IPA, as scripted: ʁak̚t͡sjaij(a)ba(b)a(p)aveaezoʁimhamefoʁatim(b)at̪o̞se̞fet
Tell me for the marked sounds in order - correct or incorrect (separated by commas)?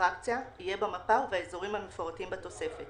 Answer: incorrect, incorrect, correct, correct